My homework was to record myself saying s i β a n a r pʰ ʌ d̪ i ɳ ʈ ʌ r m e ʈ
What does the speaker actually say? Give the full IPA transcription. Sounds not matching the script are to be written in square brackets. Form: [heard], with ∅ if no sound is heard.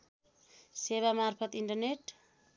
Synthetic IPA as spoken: s [e] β a [m] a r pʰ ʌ [t̪] i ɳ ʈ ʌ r [n] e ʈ